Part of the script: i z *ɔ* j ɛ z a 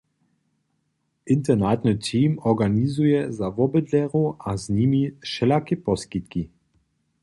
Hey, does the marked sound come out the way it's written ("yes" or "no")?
no